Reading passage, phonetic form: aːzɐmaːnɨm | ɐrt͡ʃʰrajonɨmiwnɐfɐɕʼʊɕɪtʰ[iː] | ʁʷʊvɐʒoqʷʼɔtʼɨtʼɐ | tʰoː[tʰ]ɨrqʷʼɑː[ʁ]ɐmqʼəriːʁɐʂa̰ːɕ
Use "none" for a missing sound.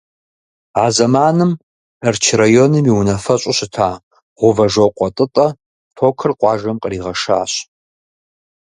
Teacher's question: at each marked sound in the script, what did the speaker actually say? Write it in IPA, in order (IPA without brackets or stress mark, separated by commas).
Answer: aː, kʰ, ʒ